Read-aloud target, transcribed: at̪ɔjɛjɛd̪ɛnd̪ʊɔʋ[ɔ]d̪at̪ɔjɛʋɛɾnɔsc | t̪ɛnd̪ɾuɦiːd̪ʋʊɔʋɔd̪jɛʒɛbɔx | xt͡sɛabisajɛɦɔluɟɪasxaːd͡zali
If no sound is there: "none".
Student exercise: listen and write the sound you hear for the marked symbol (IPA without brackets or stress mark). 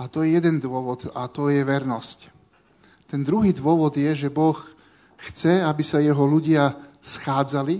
ɔ